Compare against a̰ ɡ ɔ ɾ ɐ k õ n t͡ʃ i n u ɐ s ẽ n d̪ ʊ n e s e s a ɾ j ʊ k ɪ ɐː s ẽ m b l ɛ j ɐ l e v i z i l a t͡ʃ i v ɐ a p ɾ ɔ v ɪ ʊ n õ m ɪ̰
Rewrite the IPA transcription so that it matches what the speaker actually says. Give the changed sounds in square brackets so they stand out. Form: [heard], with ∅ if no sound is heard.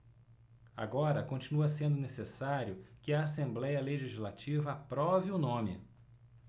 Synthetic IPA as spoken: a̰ ɡ ɔ ɾ ɐ k õ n t͡ʃ i n u ɐ s ẽ n d̪ ʊ n e s e s a ɾ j ʊ k ɪ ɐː s ẽ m b l ɛ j ɐ l e [ʒ] i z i l a t͡ʃ i v ɐ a p ɾ ɔ v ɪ ʊ n õ m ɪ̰